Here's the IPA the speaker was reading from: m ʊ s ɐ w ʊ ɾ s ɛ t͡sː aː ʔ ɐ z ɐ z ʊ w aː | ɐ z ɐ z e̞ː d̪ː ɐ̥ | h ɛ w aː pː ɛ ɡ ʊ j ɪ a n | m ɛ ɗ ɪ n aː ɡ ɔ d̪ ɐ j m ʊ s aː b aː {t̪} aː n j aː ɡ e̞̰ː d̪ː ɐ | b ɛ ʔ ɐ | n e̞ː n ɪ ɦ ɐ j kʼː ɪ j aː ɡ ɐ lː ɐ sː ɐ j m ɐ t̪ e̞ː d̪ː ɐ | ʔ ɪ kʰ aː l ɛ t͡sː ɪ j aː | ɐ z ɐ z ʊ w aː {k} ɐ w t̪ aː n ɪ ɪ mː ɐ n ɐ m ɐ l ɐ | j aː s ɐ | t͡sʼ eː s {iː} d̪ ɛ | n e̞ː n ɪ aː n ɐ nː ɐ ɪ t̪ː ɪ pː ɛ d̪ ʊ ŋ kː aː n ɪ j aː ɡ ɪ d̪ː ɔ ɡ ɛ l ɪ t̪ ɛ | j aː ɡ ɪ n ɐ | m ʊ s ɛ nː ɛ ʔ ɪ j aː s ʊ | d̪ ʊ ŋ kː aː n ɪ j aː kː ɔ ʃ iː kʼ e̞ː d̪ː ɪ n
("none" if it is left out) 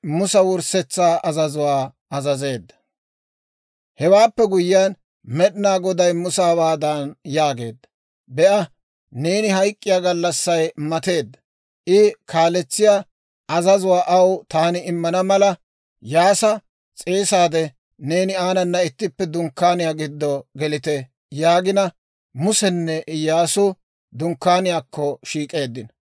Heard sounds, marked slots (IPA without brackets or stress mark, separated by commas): d̪, ʔ, aː